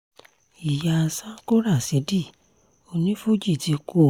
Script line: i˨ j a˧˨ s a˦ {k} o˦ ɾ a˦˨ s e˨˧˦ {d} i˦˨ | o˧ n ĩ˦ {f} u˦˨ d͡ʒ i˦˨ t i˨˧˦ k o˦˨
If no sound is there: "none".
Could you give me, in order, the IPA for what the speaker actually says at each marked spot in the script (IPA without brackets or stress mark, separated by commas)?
k, d, f